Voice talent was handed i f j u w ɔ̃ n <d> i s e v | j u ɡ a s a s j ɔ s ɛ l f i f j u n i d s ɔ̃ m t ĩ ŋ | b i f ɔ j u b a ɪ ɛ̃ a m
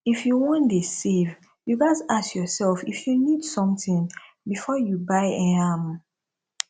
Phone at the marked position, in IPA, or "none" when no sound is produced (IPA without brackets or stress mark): d